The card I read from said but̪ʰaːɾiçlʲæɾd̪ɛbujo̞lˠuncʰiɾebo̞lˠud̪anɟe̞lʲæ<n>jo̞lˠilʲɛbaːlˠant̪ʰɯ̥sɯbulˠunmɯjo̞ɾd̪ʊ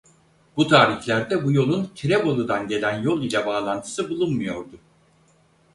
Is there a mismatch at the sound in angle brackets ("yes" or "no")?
no